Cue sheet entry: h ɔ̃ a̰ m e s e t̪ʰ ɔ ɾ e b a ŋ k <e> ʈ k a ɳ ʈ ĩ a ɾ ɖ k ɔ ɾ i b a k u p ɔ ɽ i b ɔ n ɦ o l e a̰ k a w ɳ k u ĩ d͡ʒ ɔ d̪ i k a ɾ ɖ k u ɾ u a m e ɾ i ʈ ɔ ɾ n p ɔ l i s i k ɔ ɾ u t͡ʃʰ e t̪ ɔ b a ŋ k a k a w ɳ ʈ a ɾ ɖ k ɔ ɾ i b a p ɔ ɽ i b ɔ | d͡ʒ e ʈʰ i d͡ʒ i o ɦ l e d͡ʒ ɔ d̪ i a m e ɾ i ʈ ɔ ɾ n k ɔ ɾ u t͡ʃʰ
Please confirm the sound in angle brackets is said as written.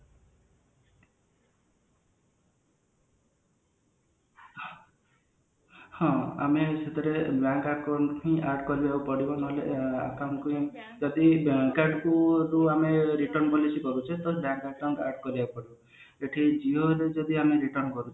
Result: no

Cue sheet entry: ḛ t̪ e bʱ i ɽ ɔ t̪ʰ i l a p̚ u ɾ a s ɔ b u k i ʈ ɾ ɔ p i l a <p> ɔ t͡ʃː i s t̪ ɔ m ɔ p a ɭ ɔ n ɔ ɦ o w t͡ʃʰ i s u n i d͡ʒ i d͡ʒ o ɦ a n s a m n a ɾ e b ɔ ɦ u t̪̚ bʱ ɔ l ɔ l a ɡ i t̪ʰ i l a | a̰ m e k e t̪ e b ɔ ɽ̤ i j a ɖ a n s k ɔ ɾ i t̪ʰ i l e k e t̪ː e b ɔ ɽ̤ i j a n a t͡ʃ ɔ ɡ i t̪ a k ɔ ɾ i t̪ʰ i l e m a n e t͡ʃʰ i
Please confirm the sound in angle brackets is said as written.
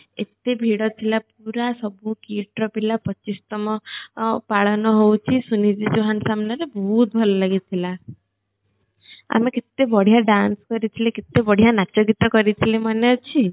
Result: yes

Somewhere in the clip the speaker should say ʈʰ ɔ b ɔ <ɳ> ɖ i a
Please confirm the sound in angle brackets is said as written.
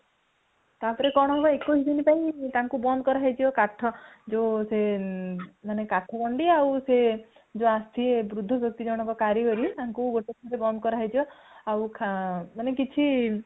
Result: yes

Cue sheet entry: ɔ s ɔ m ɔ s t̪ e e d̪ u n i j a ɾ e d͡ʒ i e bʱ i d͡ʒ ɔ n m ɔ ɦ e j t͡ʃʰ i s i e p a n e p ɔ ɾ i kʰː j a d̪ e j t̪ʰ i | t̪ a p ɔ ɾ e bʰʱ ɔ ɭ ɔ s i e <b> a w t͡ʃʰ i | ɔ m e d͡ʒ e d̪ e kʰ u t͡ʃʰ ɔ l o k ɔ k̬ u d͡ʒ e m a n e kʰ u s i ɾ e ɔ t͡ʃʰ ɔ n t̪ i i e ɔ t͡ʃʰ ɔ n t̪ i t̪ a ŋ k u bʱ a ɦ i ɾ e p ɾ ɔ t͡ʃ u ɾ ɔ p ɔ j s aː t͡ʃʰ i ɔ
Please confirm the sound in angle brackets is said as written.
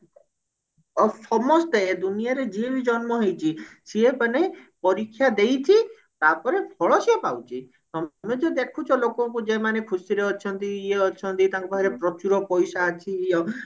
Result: no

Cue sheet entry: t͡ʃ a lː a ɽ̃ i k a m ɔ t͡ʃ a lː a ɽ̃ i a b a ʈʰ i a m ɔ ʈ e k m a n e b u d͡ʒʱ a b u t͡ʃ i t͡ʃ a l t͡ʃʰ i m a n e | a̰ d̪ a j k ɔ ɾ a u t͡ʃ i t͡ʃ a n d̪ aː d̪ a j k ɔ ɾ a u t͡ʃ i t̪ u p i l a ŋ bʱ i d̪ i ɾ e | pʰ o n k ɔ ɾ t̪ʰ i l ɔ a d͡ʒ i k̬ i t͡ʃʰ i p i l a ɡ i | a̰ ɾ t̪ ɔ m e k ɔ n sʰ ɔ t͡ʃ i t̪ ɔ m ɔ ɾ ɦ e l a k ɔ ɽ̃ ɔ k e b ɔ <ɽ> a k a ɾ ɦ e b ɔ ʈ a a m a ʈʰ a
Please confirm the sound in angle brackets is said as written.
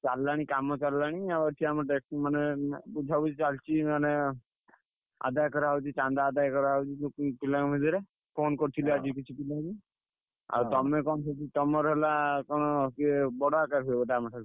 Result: yes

